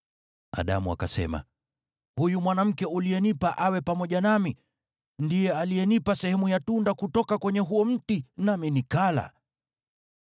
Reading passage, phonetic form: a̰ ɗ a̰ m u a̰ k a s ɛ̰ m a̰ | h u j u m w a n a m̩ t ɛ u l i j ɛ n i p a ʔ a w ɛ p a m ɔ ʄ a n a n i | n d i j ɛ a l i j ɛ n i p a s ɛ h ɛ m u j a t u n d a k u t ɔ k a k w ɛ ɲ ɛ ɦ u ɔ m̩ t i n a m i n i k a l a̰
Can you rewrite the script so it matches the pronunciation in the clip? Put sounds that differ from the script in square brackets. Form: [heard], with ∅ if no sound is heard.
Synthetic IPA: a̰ ɗ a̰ m u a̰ k a s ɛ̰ m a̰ | h u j u m w a n a m̩ [k] ɛ u l i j ɛ n i p a ʔ a w ɛ p a m ɔ ʄ a n a [m] i | n d i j ɛ a l i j ɛ n i p a s ɛ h ɛ m u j a t u n d a k u t ɔ k a k w ɛ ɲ ɛ ɦ u ɔ m̩ t i n a m i n i k a l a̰